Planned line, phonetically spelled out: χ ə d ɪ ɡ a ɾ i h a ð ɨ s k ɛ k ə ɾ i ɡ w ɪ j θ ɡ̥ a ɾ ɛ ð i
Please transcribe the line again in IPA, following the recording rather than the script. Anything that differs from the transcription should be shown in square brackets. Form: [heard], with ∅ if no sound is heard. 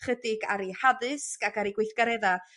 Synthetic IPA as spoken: χ ə d ɪ ɡ a ɾ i h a ð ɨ s k [a] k [a] ɾ i ɡ w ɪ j θ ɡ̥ a ɾ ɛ ð [a]